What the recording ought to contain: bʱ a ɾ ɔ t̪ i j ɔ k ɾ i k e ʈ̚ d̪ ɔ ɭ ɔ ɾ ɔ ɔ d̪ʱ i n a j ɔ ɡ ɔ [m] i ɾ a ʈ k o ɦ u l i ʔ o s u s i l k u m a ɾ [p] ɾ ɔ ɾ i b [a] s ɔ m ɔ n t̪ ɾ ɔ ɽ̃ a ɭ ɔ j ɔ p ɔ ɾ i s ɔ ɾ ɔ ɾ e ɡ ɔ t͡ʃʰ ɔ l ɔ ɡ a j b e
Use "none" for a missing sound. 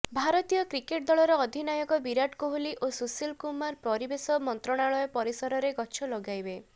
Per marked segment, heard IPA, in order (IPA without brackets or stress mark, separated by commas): b, p, e